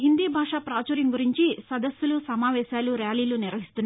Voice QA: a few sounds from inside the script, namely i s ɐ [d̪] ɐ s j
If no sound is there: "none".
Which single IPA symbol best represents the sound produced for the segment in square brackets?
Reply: d̪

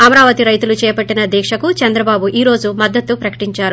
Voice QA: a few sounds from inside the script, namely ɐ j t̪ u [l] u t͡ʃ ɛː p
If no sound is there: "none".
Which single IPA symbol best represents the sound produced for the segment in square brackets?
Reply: l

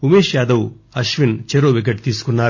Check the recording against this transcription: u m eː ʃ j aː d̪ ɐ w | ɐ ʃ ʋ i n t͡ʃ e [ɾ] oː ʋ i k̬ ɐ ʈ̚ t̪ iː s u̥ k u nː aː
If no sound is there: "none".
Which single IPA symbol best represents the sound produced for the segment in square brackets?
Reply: ɾ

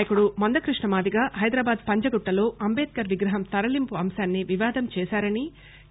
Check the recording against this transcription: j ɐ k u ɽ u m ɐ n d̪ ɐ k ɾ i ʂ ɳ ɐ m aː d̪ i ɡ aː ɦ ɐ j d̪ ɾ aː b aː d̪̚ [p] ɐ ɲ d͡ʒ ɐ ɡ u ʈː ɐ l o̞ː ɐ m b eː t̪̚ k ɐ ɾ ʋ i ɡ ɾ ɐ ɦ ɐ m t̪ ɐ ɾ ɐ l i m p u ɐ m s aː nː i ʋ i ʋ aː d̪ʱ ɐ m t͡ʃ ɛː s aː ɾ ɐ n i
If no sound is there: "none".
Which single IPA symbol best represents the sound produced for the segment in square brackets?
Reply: p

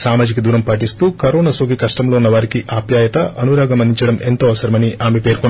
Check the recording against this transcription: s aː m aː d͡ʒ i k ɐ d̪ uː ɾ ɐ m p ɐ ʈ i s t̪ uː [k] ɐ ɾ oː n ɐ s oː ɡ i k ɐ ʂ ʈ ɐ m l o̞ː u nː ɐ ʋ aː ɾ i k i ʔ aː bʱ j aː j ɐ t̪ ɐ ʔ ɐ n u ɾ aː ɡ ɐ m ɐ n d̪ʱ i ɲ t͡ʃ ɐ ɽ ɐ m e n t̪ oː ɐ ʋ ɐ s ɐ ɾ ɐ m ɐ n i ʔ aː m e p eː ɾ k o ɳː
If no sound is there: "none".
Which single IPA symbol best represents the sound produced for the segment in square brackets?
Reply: k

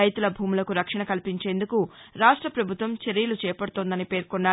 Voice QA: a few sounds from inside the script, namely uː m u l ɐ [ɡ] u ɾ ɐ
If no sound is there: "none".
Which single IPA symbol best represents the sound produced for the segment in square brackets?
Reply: k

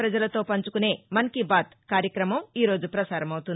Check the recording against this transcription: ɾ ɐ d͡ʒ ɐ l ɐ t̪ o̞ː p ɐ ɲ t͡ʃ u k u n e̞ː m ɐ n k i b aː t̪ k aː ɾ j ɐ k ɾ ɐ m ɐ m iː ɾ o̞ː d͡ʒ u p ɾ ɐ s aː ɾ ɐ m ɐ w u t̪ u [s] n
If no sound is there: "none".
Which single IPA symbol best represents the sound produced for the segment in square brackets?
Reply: none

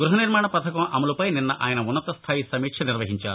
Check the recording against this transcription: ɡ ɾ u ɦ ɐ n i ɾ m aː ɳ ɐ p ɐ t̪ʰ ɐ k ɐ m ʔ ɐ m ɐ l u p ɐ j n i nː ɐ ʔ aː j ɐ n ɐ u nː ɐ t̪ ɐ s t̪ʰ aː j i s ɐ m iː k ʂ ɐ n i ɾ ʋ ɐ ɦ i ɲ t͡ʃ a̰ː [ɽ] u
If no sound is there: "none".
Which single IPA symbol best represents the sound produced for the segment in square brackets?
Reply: ɾ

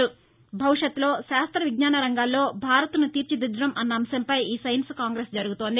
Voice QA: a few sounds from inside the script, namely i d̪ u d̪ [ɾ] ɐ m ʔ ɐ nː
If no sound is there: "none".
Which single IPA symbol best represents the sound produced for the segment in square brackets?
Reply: ɾ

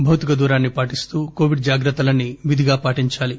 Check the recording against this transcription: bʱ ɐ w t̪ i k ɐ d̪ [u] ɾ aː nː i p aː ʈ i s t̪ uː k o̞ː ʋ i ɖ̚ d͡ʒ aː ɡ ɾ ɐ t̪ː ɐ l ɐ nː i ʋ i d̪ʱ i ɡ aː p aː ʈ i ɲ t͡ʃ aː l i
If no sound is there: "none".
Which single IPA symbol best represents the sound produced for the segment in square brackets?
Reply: uː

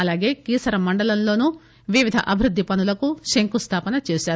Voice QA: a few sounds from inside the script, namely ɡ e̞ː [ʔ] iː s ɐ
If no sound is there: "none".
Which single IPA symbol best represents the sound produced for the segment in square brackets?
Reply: k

